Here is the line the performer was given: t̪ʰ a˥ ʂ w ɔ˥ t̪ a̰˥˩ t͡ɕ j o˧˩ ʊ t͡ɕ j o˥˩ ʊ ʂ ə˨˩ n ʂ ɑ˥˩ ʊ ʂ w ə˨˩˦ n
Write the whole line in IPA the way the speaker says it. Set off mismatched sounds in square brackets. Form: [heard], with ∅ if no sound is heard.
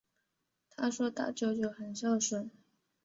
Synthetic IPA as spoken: t̪ʰ a˥ ʂ w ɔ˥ t̪ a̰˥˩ t͡ɕ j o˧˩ ʊ t͡ɕ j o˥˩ ʊ [x] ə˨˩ n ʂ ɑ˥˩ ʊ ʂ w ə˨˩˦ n